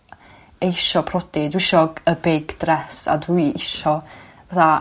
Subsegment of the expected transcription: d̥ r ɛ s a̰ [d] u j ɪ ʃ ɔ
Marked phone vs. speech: correct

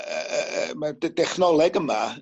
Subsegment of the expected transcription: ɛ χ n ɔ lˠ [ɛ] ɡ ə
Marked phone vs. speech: correct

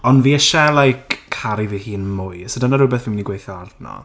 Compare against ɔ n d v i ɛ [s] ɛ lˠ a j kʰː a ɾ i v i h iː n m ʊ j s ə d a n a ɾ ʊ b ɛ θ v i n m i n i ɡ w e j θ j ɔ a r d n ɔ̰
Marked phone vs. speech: incorrect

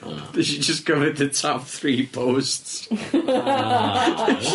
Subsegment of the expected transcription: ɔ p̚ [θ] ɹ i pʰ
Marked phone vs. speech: correct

